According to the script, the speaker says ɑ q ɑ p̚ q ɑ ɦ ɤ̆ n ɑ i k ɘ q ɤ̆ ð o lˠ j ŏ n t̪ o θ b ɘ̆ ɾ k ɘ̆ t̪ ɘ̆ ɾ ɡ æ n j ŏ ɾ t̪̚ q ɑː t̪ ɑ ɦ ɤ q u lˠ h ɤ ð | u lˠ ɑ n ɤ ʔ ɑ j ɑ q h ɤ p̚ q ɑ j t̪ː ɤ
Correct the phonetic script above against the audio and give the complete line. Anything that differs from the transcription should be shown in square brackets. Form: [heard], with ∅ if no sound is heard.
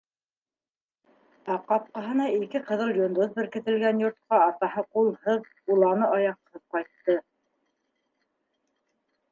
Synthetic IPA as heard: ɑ q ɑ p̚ q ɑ ɦ ɤ̆ n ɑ i k ɘ q ɤ̆ ð [ɤ] lˠ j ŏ n [d̪] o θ b ɘ̆ ɾ k ɘ̆ t̪ ɘ̆ [l] ɡ æ n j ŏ ɾ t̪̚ q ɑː t̪ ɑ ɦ ɤ q u lˠ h ɤ ð | u lˠ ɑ n ɤ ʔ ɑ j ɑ q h ɤ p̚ q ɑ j t̪ː ɤ